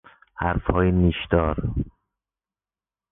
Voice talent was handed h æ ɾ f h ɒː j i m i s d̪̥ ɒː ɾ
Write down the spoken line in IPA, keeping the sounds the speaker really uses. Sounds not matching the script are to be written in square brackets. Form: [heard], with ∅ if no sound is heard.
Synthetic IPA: h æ ɾ f h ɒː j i [n] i [ʃ] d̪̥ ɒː ɾ